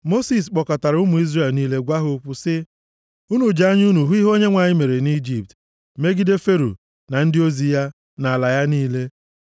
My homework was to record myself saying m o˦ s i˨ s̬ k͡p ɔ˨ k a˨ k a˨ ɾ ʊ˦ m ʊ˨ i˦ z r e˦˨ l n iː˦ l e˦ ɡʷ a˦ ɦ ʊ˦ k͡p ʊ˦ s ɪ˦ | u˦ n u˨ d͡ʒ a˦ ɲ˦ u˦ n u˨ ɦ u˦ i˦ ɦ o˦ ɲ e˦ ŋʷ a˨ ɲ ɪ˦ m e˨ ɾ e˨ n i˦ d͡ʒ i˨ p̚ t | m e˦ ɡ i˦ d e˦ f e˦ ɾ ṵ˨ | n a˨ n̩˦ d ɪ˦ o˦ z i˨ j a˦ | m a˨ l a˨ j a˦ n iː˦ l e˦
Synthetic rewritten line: m o˦ s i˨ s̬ k͡p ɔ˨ k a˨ t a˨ ɾ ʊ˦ m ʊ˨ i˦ z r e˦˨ l n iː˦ l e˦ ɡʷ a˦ ɦ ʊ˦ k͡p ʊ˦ s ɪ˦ | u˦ n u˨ d͡ʒ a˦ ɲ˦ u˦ n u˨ ɦ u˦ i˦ ɦ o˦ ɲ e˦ ŋʷ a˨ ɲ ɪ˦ m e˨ ɾ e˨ n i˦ d͡ʒ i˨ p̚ t | m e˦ ɡ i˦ d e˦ f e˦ ɾ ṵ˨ | n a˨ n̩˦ d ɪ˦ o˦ z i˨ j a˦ | n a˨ l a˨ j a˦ n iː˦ l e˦